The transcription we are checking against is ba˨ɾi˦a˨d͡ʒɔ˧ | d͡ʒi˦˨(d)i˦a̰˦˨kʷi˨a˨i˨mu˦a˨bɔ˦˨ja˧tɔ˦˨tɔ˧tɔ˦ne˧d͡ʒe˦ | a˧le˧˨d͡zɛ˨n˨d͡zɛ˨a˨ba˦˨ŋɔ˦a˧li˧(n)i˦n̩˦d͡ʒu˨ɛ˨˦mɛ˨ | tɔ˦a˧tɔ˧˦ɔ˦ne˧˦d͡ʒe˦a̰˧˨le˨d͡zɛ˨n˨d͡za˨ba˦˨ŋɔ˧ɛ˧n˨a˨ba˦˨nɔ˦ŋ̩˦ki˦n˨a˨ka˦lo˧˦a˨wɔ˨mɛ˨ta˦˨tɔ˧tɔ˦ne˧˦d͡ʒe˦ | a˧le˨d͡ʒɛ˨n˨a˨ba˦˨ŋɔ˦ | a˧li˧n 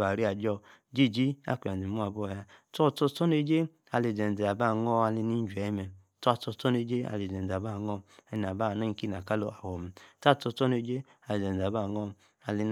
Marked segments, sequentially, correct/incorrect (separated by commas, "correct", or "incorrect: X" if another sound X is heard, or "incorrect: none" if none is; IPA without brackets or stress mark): incorrect: d͡ʒ, correct